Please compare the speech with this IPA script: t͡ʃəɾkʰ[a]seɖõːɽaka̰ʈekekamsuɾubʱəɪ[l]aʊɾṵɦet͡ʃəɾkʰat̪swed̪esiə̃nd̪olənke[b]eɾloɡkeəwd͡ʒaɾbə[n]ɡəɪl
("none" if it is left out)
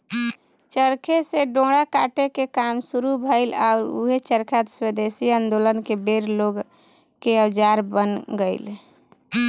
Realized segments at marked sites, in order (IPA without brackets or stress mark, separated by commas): e, l, b, n